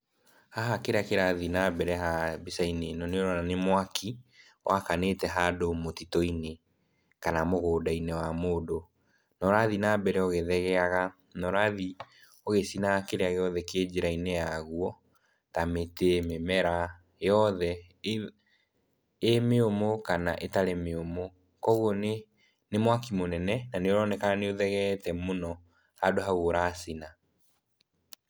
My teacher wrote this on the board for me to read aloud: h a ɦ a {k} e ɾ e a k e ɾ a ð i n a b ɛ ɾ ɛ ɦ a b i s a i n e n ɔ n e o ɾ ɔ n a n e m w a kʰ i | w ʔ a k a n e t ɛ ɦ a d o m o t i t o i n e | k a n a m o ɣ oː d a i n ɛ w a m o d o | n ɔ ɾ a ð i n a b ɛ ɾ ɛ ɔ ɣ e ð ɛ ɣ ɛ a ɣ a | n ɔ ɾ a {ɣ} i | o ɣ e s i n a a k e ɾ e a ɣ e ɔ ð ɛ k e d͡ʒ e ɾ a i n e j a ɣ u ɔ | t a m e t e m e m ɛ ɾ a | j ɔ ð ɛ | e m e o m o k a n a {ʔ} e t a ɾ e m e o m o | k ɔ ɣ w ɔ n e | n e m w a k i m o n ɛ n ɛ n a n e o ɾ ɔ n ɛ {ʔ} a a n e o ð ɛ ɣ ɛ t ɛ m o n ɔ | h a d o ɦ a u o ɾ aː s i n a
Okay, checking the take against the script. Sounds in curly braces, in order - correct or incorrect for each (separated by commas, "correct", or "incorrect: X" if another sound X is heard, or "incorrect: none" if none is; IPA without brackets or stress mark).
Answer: correct, incorrect: ð, correct, incorrect: k